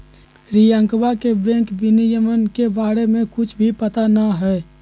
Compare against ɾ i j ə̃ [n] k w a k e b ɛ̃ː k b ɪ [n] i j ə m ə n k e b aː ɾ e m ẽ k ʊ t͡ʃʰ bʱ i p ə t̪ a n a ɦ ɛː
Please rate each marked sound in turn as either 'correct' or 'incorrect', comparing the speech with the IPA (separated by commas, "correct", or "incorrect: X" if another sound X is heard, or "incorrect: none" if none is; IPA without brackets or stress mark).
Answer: incorrect: ŋ, correct